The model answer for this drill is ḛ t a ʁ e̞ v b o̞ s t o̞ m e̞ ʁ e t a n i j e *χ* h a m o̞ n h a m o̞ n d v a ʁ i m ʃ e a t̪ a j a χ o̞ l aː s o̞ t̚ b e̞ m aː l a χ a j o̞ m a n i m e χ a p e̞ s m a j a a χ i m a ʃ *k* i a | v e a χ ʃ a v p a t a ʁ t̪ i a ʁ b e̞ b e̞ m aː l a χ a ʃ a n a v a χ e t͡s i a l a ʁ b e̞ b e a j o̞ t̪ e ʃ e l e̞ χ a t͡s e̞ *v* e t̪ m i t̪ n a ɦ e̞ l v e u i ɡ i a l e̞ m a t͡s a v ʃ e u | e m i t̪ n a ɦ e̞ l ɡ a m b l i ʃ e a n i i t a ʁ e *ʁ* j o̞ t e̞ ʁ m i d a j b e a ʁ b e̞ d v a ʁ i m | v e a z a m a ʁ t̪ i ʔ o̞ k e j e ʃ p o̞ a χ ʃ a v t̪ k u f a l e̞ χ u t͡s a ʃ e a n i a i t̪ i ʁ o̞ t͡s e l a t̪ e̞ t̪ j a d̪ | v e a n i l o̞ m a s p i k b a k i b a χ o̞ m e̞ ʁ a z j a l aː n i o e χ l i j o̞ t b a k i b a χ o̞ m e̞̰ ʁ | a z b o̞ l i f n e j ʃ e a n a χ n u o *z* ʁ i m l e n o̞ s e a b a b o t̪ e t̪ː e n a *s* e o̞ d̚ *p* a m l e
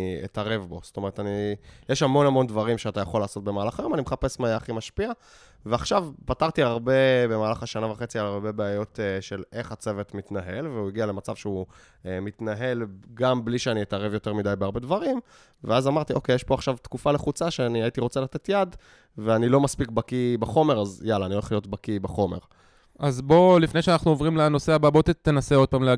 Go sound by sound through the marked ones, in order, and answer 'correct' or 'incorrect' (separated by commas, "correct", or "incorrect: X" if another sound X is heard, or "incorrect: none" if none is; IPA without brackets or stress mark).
incorrect: ʃ, incorrect: p, correct, incorrect: v, incorrect: v, correct, correct